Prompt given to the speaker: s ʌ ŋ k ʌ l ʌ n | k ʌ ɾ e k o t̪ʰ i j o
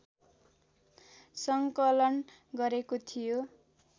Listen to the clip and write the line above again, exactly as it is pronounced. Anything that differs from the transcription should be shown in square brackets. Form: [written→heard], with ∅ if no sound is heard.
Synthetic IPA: s ʌ ŋ k ʌ l ʌ n | [k→ɡ] ʌ ɾ e k o t̪ʰ i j o